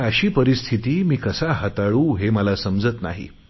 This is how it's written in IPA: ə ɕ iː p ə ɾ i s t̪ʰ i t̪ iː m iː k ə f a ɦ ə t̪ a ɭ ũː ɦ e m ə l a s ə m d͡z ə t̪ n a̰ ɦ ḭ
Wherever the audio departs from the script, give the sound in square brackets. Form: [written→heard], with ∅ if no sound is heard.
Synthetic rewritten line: ə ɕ iː p ə ɾ i s t̪ʰ i t̪ iː m iː k ə [f→s] a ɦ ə t̪ a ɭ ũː ɦ e m ə l a s ə m d͡z ə t̪ n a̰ ɦ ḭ